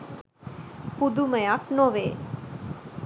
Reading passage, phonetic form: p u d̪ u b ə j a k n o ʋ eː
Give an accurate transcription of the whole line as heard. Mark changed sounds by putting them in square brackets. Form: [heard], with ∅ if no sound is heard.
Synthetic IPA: p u d̪ u [m] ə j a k n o ʋ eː